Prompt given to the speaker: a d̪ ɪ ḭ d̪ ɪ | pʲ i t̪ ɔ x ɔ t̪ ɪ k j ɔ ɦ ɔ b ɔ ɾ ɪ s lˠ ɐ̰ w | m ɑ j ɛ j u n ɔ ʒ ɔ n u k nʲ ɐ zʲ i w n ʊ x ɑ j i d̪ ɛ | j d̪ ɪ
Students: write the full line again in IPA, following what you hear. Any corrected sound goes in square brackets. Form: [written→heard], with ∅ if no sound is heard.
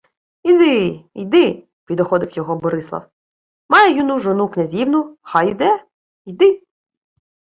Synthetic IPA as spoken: [a→i] d̪ ɪ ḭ d̪ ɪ | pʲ i [t̪→d̪] ɔ x ɔ [t̪→d̪] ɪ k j ɔ ɦ ɔ b ɔ ɾ ɪ s lˠ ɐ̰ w | m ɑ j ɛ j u n [ɔ→u] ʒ ɔ n u k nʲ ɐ zʲ i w n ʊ x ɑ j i d̪ ɛ | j d̪ ɪ